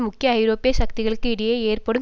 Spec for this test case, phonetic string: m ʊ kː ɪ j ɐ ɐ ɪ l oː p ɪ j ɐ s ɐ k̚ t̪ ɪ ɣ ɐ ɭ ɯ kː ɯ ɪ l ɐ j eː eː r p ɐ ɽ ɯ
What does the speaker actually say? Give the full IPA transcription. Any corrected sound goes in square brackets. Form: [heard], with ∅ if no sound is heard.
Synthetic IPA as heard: m ʊ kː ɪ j ɐ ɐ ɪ [ɾ] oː p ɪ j ɐ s ɐ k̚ t̪ ɪ ɣ ɐ ɭ ɯ kː ɯ ɪ [ɽ] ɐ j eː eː r p ɐ ɽ ɯ